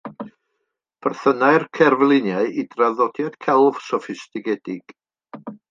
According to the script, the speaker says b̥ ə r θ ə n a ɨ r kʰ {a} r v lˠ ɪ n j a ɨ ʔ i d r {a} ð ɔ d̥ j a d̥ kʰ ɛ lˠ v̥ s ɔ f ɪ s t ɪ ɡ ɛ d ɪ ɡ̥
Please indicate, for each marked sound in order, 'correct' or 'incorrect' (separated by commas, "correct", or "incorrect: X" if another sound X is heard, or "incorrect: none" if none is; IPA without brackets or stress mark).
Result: incorrect: ɛ, correct